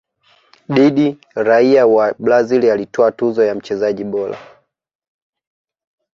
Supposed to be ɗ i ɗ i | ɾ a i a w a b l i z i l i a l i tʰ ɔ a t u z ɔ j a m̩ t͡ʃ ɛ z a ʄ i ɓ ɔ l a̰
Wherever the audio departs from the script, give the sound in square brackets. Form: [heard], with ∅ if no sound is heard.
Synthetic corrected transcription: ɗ i ɗ i | ɾ a i a w a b l [a] z i l i a l i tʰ ɔ a t u z ɔ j a m̩ t͡ʃ ɛ z a ʄ i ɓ ɔ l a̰